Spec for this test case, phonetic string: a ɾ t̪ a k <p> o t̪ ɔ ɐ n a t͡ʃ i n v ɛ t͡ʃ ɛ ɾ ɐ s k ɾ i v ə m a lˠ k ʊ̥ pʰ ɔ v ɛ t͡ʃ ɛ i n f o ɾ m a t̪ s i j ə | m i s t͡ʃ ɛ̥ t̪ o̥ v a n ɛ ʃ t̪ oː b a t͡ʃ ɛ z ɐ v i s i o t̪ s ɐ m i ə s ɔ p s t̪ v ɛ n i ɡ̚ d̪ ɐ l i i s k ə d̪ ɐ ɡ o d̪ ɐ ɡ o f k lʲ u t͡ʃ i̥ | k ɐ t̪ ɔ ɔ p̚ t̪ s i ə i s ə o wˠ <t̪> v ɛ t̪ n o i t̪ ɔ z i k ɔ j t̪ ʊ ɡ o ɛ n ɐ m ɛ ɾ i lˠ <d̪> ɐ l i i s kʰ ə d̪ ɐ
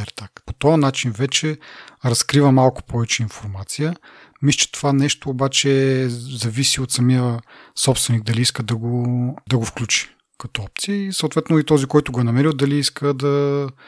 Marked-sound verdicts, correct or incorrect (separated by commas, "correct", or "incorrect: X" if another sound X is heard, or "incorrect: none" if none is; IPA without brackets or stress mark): correct, correct, correct